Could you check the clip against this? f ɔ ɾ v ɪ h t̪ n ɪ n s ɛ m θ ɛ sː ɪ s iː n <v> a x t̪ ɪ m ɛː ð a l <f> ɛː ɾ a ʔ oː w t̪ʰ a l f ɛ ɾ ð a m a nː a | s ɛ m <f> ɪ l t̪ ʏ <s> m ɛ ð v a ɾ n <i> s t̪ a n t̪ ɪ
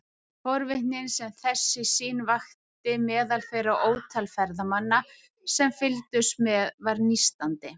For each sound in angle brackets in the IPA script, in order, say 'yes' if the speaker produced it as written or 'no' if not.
yes, yes, yes, yes, yes

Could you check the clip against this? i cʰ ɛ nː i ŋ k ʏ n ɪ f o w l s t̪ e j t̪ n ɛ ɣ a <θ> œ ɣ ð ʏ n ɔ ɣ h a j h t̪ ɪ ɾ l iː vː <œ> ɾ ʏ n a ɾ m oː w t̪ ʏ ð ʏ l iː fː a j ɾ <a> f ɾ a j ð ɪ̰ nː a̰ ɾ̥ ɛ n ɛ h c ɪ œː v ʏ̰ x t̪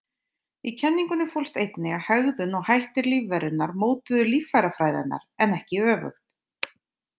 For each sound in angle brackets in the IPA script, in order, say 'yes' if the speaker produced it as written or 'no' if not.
no, no, yes

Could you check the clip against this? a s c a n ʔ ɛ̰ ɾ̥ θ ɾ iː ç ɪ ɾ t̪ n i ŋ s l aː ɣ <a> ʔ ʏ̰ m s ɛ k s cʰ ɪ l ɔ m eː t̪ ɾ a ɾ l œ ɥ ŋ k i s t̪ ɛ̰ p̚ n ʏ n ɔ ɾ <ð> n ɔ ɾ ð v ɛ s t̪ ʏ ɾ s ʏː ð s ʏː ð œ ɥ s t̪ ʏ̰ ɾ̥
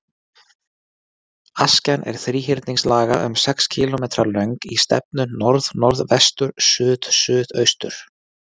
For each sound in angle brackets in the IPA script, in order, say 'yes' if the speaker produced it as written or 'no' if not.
yes, yes

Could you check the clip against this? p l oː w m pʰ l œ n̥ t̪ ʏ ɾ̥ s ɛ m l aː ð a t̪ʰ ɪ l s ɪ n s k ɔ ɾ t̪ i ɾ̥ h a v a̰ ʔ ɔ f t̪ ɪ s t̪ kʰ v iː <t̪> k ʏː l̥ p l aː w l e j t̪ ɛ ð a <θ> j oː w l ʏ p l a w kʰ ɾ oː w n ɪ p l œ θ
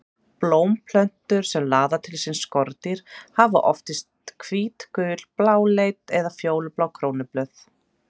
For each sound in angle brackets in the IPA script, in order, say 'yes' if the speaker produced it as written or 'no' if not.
yes, no

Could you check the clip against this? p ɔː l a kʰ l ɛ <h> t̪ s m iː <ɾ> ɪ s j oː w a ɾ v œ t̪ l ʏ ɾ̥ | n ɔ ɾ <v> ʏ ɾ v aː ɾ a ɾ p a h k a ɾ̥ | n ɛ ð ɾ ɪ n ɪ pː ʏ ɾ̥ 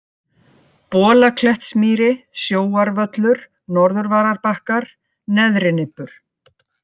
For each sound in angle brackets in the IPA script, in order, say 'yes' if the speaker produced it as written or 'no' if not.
yes, yes, no

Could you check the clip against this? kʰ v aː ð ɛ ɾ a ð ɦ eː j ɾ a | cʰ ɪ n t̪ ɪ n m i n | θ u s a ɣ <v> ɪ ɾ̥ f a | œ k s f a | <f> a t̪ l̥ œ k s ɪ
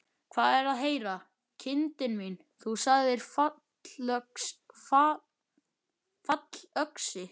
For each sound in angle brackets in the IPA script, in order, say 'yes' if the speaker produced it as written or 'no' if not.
no, yes

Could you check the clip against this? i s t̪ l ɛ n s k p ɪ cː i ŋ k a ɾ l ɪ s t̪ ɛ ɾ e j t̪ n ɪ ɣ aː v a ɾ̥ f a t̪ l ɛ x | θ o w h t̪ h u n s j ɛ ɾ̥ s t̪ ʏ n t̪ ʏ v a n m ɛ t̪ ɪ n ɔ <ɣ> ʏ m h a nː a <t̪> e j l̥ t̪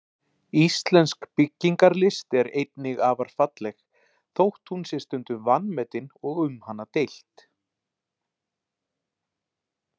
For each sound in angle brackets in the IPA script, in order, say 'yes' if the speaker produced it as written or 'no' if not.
yes, yes

